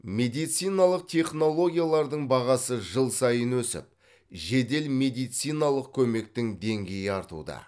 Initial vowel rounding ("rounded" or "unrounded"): unrounded